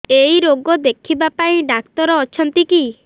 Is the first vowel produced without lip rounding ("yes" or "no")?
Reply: yes